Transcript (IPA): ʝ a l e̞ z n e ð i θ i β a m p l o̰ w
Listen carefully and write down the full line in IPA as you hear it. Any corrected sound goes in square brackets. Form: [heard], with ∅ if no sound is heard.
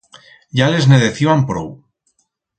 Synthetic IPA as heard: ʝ a l e̞ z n e ð [e] θ i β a m p [ɾ] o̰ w